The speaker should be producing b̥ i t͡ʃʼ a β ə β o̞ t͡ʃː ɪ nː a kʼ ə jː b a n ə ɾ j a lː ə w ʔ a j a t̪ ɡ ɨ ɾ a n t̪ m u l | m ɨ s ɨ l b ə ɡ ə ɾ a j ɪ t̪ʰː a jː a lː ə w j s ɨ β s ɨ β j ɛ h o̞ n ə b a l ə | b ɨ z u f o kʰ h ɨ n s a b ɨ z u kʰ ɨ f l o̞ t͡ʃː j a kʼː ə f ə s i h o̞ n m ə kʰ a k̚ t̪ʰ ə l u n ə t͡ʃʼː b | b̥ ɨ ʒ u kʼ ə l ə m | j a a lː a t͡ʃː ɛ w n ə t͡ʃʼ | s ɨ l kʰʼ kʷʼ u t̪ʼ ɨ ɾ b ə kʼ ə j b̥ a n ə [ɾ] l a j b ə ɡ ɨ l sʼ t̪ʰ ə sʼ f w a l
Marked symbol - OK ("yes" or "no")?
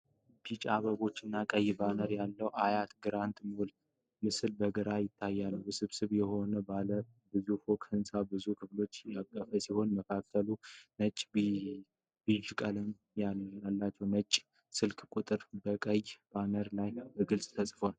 yes